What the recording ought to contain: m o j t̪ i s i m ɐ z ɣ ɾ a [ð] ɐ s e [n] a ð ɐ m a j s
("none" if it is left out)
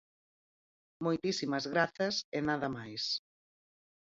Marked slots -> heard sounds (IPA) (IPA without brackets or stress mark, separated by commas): θ, n